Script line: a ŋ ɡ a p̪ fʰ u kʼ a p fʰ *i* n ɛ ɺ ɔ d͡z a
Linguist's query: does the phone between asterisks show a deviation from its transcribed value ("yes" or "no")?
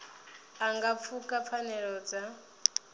yes